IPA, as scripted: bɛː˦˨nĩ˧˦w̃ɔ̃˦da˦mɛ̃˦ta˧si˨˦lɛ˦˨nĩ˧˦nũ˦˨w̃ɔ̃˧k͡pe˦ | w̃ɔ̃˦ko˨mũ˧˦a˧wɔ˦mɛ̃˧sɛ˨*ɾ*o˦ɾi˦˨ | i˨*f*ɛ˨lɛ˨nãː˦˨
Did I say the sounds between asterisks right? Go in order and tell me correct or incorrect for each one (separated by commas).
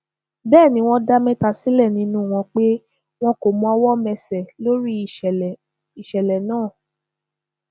incorrect, incorrect